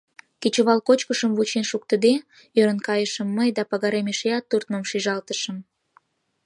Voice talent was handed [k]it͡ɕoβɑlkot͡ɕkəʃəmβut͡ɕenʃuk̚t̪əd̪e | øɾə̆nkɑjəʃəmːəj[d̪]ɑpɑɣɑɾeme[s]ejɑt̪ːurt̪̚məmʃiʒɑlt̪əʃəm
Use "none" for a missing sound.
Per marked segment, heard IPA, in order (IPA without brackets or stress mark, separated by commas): k, d̪, ʃ